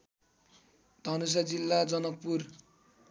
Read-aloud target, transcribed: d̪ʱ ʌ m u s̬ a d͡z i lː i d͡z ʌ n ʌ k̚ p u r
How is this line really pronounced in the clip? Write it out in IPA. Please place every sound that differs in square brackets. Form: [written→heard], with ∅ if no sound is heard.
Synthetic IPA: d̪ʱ ʌ [m→n] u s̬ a d͡z i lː [i→a] d͡z ʌ n ʌ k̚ p u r